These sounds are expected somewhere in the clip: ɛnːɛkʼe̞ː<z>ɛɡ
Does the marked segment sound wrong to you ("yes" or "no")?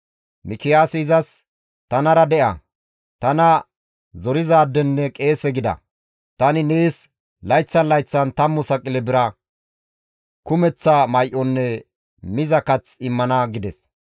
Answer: yes